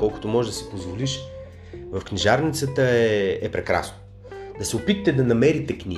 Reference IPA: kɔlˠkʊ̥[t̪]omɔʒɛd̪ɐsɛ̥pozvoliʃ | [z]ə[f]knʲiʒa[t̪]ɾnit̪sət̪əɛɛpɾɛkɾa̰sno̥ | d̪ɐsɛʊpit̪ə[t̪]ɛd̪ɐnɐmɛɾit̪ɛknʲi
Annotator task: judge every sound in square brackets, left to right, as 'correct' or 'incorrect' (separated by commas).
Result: correct, incorrect, correct, incorrect, correct